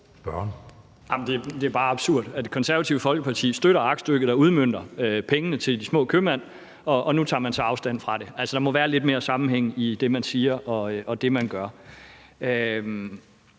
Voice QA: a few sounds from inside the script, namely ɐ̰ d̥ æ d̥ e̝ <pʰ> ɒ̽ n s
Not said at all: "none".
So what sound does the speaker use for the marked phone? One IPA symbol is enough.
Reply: kʰ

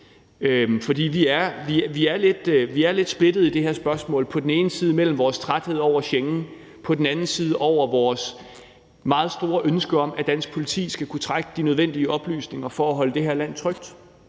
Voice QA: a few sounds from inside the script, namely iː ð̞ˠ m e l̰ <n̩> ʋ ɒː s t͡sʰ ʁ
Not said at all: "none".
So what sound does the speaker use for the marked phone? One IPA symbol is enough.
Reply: m̩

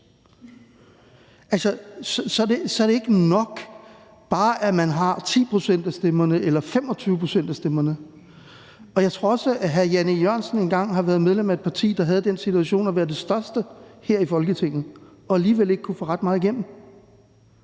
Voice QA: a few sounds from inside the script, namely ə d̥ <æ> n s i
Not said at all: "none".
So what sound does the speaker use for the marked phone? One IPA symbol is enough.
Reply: e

